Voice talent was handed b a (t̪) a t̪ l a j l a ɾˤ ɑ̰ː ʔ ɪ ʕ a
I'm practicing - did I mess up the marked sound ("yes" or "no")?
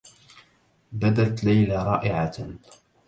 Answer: yes